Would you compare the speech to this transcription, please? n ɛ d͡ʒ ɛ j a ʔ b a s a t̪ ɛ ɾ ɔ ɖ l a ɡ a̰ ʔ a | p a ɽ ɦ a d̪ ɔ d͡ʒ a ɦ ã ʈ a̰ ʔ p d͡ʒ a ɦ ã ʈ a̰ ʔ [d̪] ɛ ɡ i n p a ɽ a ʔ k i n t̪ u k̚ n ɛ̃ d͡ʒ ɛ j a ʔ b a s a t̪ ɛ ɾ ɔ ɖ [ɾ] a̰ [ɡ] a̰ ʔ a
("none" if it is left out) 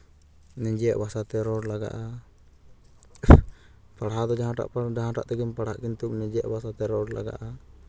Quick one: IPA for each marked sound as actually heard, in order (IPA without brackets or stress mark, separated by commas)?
t̪, l, ɡ